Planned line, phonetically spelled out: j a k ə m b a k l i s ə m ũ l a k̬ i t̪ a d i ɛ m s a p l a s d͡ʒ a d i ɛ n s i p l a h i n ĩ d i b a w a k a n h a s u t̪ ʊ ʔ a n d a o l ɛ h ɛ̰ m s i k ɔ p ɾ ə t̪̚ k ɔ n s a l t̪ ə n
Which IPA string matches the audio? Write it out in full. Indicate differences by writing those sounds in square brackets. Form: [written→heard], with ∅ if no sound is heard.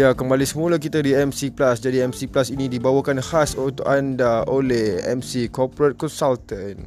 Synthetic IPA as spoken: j a k ə m b a [k→∅] l i s ə m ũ l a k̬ i t̪ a d i ɛ m s [a→i] p l a s d͡ʒ a d i ɛ [n→m] s i p l a [h→s] i n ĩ d i b a w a k a n h a s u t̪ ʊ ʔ a n d a o l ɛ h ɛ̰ m s i k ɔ p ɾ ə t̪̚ k ɔ n s a l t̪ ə n